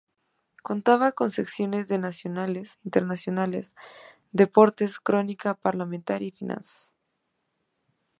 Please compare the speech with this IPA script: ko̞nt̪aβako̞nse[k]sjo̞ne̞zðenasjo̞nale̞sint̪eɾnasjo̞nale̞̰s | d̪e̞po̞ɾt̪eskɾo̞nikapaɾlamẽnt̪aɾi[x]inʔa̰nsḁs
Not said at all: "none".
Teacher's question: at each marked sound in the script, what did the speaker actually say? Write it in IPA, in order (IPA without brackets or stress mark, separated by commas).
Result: k, f